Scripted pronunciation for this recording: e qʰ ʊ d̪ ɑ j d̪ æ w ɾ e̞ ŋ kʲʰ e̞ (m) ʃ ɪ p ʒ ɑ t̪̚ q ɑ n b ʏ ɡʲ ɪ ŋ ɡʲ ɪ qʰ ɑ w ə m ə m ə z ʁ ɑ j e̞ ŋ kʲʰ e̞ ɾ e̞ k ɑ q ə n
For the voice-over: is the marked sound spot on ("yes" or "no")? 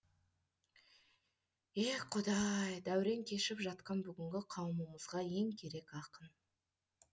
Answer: no